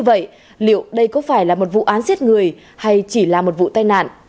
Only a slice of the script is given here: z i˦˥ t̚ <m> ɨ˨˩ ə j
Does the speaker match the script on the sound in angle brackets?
no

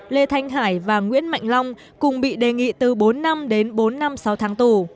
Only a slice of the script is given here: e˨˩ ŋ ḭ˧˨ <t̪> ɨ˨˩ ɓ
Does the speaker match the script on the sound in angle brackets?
yes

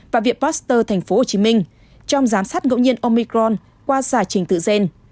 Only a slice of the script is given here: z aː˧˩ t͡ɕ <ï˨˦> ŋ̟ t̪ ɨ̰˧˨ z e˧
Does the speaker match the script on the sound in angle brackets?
no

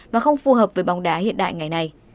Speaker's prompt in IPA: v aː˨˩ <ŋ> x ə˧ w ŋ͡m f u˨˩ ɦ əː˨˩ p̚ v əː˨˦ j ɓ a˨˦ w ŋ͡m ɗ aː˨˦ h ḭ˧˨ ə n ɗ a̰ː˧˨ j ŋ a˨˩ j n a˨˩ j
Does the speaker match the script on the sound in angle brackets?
no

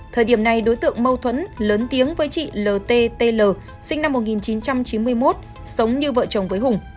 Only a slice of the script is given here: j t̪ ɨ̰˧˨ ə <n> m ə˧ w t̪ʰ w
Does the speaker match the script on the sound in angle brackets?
no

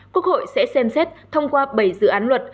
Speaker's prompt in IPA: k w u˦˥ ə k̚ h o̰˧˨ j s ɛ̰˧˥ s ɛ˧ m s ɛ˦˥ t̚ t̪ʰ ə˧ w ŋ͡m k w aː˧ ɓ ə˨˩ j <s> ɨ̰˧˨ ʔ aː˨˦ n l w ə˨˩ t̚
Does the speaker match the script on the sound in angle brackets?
no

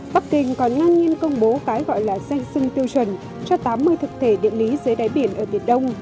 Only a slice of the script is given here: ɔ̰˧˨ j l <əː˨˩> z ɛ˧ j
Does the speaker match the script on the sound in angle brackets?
no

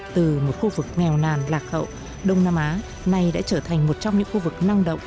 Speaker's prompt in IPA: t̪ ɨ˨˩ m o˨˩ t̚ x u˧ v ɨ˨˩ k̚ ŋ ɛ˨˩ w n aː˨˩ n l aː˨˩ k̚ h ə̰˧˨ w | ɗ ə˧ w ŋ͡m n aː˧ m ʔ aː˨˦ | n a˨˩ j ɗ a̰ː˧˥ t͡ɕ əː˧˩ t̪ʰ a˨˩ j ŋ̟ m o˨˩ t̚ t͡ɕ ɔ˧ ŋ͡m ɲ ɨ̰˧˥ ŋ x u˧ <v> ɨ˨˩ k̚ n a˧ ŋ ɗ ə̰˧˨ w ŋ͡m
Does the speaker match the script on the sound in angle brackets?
yes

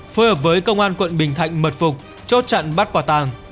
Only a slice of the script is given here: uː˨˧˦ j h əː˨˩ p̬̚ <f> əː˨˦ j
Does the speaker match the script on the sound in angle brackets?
no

